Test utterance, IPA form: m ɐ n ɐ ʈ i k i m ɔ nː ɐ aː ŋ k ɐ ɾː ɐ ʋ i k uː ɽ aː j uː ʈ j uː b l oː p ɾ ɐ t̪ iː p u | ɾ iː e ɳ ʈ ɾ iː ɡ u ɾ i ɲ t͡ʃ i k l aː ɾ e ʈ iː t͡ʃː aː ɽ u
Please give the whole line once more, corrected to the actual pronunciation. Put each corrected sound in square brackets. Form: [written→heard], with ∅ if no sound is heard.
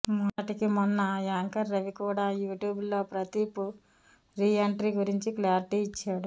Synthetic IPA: m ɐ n ɐ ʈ i k i m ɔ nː ɐ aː ŋ k ɐ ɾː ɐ ʋ i k uː ɽ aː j uː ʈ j uː b l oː p ɾ ɐ t̪ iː p u | ɾ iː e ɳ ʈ ɾ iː ɡ u ɾ i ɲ t͡ʃ i k l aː ɾ [e→i] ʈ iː t͡ʃː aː ɽ u